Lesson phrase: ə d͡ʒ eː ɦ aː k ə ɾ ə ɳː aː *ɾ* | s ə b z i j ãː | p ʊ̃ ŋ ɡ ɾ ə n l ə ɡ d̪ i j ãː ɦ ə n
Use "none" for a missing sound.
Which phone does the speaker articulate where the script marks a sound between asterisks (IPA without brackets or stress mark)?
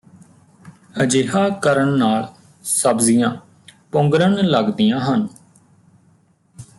l